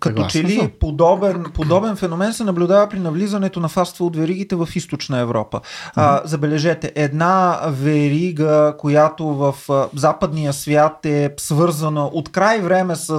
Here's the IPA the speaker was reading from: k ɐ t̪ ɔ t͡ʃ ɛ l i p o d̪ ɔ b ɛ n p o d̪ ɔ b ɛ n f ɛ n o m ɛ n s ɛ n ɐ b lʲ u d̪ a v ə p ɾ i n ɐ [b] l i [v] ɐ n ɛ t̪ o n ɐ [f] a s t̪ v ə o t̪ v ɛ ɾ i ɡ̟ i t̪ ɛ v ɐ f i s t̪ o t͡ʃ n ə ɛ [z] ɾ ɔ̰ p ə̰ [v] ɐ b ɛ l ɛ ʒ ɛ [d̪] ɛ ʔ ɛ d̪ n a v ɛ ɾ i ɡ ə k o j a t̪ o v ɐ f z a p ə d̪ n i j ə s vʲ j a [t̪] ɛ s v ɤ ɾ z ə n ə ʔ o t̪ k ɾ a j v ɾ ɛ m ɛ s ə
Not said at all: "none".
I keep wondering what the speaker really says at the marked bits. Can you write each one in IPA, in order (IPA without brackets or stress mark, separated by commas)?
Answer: v, z, f, v, z, t̪, t̪